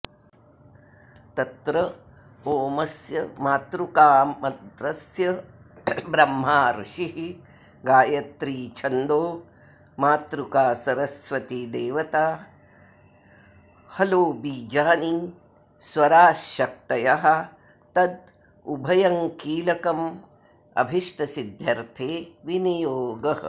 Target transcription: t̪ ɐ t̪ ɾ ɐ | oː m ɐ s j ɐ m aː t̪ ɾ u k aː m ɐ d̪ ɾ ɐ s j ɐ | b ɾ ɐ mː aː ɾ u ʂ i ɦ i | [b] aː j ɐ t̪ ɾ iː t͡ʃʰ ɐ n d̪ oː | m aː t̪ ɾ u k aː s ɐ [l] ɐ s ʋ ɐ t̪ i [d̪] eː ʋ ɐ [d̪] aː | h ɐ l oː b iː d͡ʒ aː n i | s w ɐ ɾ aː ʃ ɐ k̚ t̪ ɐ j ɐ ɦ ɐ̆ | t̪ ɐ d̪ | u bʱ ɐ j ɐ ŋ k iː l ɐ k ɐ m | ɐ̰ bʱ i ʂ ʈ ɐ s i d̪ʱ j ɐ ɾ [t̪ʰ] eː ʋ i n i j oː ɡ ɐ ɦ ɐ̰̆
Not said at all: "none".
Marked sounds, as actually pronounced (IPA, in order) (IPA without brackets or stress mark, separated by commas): ɡ, ɾ, d̪, t̪, t̪ʰ